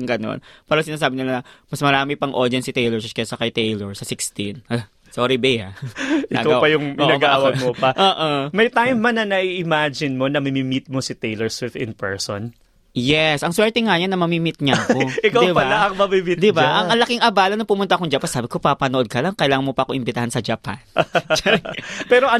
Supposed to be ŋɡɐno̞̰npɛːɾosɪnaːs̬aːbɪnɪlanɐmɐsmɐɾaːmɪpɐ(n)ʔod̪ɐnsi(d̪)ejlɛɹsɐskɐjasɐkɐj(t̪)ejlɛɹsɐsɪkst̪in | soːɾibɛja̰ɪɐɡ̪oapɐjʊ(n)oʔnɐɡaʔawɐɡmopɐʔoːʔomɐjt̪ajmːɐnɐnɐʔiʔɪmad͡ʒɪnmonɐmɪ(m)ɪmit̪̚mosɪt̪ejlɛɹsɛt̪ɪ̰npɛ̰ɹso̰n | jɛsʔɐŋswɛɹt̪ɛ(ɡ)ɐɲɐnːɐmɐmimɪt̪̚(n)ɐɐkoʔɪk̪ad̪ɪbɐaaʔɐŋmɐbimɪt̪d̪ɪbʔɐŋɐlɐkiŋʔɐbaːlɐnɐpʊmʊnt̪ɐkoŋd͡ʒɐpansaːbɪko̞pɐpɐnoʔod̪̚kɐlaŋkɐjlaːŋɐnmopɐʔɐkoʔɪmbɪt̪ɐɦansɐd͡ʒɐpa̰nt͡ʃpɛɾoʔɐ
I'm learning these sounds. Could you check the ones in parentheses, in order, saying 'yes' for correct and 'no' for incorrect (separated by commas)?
no, no, yes, no, yes, no, no